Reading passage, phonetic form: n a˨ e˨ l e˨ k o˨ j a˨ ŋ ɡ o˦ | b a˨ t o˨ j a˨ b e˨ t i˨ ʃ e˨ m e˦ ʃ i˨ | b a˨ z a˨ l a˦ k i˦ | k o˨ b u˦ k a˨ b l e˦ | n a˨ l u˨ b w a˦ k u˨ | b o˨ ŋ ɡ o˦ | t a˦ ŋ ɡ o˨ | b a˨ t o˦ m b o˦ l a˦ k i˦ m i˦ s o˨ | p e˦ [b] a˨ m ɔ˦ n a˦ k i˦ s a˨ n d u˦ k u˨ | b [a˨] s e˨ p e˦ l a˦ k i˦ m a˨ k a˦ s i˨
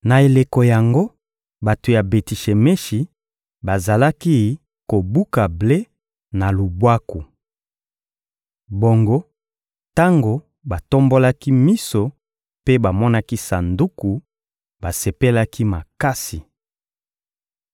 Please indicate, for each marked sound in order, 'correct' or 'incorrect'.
correct, correct

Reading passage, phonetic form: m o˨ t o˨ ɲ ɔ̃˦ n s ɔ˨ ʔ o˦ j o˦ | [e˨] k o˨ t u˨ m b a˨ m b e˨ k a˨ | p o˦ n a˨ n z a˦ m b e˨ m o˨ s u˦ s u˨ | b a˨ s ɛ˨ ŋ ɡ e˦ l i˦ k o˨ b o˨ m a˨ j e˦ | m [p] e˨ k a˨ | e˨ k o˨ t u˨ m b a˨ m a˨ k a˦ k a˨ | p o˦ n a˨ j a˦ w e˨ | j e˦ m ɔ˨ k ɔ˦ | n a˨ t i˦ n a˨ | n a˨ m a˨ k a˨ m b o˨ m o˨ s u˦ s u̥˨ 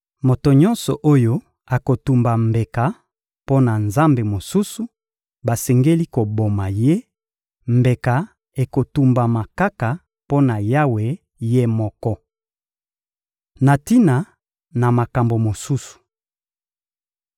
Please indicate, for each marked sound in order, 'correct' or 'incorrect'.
incorrect: a˨, incorrect: b

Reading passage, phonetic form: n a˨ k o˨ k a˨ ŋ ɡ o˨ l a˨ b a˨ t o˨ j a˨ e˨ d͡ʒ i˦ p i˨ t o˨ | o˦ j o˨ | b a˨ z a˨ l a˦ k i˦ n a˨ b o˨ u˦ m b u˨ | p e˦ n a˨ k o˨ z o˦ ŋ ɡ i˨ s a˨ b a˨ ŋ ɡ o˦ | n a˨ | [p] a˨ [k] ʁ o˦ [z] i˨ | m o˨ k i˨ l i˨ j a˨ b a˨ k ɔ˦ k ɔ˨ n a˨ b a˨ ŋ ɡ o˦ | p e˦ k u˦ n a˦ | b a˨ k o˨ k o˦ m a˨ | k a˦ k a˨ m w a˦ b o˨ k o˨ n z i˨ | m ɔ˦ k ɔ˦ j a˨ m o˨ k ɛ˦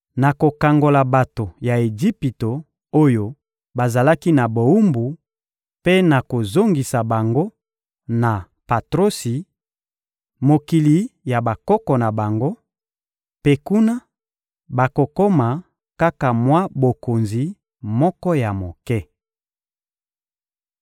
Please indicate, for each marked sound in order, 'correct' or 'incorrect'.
correct, incorrect: t, incorrect: s

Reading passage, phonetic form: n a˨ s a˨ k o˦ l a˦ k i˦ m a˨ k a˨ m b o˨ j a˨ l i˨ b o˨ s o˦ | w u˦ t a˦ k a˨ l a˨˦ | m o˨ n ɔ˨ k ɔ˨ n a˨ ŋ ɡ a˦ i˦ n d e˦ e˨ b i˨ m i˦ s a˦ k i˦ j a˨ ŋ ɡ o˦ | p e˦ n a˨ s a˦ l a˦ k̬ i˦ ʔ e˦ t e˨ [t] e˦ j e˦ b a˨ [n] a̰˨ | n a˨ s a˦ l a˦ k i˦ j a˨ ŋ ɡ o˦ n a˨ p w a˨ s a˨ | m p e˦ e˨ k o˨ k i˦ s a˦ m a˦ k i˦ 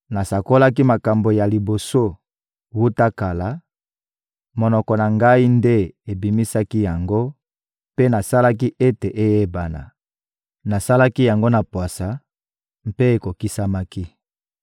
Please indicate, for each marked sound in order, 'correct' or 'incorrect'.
incorrect: ʔ, correct

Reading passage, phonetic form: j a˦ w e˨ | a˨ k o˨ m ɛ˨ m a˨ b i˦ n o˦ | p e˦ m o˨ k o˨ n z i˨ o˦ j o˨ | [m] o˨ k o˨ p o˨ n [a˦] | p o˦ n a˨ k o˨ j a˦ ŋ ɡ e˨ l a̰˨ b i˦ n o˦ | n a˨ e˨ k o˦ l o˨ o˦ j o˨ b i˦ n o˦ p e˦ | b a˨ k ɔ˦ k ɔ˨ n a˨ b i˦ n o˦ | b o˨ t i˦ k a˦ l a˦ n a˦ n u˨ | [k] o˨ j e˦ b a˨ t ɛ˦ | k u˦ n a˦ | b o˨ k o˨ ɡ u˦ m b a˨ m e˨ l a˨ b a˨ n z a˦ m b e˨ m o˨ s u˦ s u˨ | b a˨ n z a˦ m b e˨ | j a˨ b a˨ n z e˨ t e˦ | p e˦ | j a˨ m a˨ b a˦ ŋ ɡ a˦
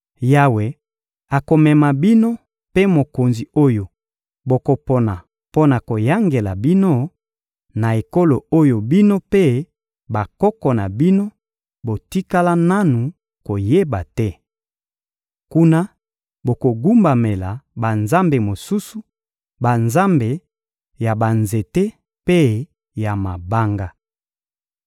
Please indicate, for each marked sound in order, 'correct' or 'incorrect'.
incorrect: b, incorrect: a˨, correct

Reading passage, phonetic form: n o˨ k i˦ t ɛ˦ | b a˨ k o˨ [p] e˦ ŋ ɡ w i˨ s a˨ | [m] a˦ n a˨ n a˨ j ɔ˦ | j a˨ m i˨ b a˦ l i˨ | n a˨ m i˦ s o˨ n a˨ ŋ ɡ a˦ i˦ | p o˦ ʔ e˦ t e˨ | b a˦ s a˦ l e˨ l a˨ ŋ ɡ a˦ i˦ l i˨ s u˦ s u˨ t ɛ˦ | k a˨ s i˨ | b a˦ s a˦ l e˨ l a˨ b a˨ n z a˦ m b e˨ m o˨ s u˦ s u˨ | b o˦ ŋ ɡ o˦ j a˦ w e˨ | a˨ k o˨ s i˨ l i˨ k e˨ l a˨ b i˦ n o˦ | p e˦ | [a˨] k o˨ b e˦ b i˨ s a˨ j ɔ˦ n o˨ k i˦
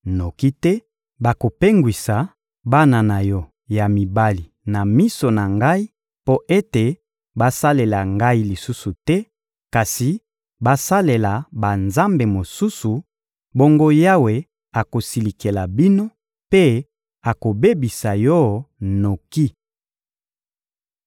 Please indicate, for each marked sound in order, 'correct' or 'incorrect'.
correct, incorrect: b, correct

